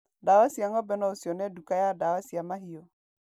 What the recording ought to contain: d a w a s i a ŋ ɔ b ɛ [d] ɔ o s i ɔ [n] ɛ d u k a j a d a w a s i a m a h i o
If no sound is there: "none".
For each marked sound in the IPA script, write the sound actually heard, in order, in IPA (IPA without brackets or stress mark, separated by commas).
n, n